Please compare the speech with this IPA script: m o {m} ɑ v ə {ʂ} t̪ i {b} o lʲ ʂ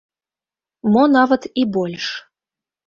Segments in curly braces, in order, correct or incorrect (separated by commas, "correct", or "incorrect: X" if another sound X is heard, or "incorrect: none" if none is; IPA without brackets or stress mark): incorrect: n, incorrect: none, correct